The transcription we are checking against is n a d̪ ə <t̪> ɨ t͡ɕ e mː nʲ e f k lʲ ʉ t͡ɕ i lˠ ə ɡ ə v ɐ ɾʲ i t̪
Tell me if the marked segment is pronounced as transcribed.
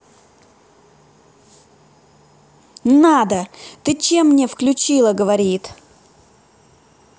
yes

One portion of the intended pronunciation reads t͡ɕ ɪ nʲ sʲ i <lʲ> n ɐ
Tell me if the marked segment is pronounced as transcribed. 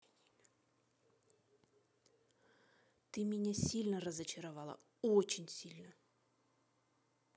yes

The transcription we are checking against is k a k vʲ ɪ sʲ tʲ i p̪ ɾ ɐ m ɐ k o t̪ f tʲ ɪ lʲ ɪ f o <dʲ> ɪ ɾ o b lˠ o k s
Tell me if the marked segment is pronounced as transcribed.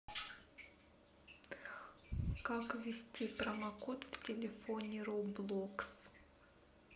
no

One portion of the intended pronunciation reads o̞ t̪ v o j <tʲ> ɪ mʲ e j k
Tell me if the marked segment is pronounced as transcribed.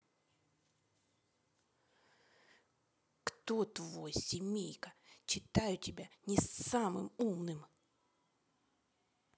no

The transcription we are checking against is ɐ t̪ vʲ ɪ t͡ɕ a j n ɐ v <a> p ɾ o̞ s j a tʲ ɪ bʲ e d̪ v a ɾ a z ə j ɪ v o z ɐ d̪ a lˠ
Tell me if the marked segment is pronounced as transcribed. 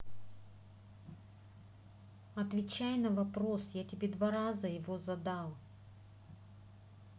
no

